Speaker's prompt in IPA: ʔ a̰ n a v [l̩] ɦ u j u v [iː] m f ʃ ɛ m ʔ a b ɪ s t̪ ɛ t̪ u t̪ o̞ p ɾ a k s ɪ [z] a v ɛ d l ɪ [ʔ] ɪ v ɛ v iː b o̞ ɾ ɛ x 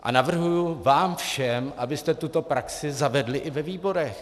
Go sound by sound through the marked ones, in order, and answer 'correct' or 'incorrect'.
incorrect: r̩, incorrect: aː, correct, correct

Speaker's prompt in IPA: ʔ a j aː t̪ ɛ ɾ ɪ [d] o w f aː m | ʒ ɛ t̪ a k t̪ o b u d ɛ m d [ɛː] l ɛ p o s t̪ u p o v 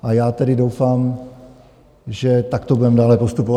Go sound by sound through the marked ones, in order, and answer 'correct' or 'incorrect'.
correct, incorrect: aː

